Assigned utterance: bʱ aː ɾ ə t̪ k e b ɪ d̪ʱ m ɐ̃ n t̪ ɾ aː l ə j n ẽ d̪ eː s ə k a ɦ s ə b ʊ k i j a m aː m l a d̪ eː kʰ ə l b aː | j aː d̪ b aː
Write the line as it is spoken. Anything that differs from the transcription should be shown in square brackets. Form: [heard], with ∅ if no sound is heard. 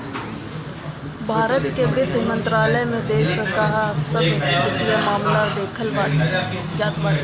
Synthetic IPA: bʱ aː ɾ ə t̪ k e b ɪ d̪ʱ m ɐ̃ n t̪ ɾ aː l ə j [m] ẽ d̪ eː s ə k a ɦ s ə b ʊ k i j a m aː m l a d̪ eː kʰ ə l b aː | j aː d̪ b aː